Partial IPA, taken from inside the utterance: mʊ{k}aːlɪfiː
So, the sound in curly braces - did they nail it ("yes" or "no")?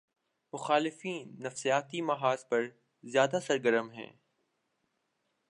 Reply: no